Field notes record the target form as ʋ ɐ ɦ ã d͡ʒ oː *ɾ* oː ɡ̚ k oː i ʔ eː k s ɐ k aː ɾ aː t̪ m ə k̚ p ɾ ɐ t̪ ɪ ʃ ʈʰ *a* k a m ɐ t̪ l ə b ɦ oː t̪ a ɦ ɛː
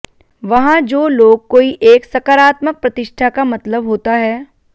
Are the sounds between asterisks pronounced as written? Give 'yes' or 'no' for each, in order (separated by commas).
no, yes